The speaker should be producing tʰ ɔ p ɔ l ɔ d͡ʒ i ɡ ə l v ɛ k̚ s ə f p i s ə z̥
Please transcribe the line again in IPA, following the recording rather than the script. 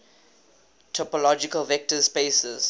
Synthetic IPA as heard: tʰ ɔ p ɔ l ɔ d͡ʒ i k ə l v ɛ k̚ t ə s p e s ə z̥